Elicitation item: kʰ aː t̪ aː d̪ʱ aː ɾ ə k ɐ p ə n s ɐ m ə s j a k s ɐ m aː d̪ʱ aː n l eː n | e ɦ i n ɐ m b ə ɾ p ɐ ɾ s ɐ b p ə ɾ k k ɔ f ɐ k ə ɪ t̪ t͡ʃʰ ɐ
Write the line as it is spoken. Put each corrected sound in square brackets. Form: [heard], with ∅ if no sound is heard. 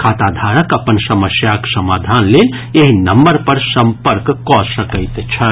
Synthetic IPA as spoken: kʰ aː t̪ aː d̪ʱ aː ɾ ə k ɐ p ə n s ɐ m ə s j a k s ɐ m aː d̪ʱ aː n l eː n | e ɦ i n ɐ m b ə ɾ p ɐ ɾ s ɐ [m] p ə ɾ k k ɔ [s] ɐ k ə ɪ t̪ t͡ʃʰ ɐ

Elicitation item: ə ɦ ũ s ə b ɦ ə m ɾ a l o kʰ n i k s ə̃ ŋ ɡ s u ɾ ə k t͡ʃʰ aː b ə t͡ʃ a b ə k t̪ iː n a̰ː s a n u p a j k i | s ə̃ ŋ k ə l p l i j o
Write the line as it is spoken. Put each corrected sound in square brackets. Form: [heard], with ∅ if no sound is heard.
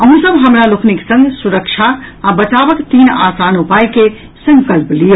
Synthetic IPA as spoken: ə ɦ ũ s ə b ɦ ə m ɾ a l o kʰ n i k s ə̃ ŋ ɡ s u ɾ ə k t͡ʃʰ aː b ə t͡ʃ a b ə k t̪ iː n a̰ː s a n u p a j k [e] | s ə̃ ŋ k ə l p l i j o

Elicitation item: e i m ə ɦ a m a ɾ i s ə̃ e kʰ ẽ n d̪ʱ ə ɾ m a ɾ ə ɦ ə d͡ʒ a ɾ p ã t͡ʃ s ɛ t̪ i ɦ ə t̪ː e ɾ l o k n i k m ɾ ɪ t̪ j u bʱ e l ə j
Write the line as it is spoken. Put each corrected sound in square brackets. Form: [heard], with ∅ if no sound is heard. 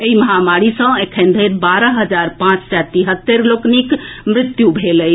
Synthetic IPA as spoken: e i m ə ɦ a m a ɾ i s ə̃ e kʰ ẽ n d̪ʱ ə ɾ [b] a ɾ ə ɦ ə d͡ʒ a ɾ p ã t͡ʃ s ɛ t̪ i ɦ ə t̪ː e ɾ l o k n i k m ɾ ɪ t̪ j u bʱ e l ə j

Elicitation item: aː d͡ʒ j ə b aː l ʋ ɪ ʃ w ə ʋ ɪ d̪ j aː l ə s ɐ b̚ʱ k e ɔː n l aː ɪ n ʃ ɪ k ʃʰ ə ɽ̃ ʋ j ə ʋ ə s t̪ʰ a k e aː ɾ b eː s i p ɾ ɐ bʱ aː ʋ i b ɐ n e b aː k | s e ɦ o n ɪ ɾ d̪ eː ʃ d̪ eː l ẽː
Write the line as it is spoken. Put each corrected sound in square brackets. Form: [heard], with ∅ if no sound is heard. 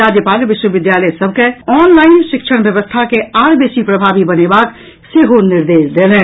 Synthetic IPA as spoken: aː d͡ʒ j ə [p] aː l ʋ ɪ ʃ w ə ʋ ɪ d̪ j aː l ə s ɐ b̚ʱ k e ɔː n l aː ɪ n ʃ ɪ k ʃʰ ə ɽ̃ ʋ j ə ʋ ə s t̪ʰ a k e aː ɾ b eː s i p ɾ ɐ bʱ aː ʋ i b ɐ n e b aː k | s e ɦ o n ɪ ɾ d̪ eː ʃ d̪ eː l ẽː

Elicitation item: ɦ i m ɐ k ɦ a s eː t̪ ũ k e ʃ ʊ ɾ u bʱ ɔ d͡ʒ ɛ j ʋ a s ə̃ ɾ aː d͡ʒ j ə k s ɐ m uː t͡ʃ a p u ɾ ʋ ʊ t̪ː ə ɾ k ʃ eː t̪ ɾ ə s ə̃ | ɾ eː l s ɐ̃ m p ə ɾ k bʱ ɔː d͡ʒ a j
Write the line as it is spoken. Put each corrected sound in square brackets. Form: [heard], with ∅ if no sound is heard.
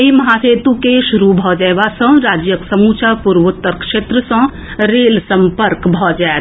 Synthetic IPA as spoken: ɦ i m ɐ [∅] ɦ a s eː t̪ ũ k e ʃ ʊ ɾ u bʱ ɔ d͡ʒ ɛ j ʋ a s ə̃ ɾ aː d͡ʒ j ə k s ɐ m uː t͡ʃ a p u ɾ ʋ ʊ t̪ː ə ɾ k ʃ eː t̪ ɾ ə s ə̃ | ɾ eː l s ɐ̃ m p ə ɾ k bʱ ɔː d͡ʒ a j

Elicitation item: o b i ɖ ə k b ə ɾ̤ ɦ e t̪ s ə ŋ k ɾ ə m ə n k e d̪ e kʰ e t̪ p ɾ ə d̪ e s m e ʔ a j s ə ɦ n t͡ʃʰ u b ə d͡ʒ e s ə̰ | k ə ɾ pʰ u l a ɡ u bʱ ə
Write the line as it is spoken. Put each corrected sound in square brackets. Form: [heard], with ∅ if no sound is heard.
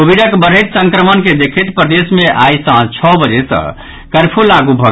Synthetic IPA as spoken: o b i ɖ ə k b ə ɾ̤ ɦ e t̪ s ə ŋ k ɾ ə m ə n k e d̪ e kʰ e t̪ p ɾ ə d̪ e s m e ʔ a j s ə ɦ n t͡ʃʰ [ɔ] b ə d͡ʒ e s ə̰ | k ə ɾ pʰ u l a ɡ u bʱ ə

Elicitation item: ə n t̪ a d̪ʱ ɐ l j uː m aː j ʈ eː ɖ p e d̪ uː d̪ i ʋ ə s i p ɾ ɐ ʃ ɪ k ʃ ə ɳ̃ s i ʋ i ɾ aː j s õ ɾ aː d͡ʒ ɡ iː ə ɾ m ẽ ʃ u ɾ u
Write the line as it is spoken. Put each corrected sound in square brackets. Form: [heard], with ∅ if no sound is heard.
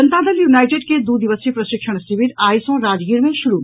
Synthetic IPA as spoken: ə n t̪ a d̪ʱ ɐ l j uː [n] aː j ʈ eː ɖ [k] e d̪ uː d̪ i ʋ ə s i p ɾ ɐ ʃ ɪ k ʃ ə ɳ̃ s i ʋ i ɾ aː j s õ ɾ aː d͡ʒ ɡ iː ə ɾ m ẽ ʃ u ɾ u

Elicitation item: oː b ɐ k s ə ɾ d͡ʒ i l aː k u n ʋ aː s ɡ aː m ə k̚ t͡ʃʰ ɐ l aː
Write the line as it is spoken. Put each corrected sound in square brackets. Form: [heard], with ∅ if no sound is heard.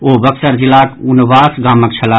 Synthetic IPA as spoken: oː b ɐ k s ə ɾ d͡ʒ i l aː k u n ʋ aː s ɡ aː m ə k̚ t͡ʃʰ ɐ l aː

